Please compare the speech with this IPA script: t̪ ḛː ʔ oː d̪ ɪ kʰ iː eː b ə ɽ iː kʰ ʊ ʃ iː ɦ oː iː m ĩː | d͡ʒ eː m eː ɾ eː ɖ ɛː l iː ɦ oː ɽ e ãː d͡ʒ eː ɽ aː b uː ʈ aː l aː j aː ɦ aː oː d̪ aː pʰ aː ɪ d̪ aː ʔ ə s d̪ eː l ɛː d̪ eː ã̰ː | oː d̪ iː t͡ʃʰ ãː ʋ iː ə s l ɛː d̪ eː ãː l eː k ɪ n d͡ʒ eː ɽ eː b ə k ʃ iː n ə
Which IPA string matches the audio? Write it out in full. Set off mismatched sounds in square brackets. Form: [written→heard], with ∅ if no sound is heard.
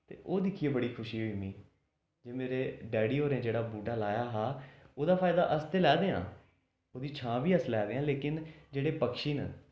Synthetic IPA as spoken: t̪ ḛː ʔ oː d̪ ɪ kʰ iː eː b ə ɽ iː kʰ ʊ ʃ iː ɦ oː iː m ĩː | d͡ʒ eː m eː ɾ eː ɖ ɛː [l→ɽ] iː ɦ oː [ɽ→ɾ] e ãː d͡ʒ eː ɽ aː b uː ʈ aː l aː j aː ɦ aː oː d̪ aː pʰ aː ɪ d̪ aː ʔ ə s [d̪→t̪] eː l ɛː d̪ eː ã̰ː | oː d̪ iː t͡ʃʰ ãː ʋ iː ə s l ɛː d̪ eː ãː l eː k ɪ n d͡ʒ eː ɽ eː [b→p] ə k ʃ iː n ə